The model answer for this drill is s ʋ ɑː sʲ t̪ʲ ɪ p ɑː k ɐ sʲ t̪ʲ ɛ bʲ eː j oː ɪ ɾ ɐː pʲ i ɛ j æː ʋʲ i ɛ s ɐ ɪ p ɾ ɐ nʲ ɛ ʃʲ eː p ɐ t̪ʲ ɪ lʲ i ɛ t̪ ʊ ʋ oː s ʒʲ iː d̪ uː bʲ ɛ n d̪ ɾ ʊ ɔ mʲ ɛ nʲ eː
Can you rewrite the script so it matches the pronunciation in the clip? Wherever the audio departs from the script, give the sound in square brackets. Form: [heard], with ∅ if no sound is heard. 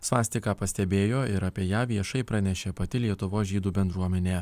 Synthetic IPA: s ʋ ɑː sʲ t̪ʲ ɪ [k] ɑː [p] ɐ sʲ t̪ʲ ɛ bʲ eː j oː ɪ ɾ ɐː pʲ i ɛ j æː ʋʲ i ɛ [ʃ] ɐ ɪ p ɾ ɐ nʲ ɛ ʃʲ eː p ɐ t̪ʲ ɪ lʲ i ɛ t̪ ʊ ʋ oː s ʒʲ iː d̪ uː bʲ ɛ n d̪ ɾ [u] ɔ mʲ ɛ nʲ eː